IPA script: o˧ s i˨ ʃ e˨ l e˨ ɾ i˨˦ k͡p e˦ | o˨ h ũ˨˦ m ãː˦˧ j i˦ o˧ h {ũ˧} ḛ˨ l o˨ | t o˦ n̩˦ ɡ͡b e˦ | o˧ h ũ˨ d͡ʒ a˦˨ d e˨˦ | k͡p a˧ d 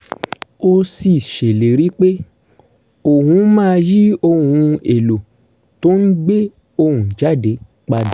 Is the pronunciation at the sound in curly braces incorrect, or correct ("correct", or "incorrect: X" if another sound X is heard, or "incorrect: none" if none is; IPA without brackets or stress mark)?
correct